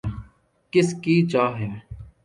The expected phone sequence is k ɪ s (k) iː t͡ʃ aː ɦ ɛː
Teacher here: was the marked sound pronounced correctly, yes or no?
yes